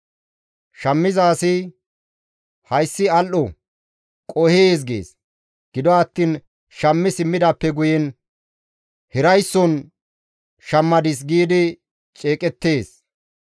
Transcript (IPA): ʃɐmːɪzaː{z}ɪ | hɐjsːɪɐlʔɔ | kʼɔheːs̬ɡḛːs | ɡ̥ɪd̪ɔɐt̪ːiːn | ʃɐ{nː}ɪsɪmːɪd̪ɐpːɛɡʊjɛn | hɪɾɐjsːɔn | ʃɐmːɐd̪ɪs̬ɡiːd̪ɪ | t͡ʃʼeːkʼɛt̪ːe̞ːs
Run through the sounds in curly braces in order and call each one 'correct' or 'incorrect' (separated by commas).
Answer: incorrect, incorrect